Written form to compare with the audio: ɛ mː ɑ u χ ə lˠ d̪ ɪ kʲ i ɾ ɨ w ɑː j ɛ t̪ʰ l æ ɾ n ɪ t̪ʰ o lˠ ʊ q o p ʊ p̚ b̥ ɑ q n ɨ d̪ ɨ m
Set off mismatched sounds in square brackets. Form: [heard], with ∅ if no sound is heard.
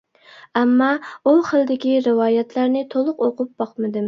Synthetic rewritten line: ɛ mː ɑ u χ ə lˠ d̪ ɪ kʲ i ɾ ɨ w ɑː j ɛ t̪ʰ l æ ɾ n ɪ t̪ʰ o lˠ ʊ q o [q] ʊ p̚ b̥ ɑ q [m] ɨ d̪ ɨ m